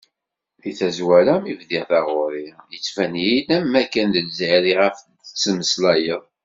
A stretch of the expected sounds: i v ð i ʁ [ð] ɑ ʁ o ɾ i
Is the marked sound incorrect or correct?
incorrect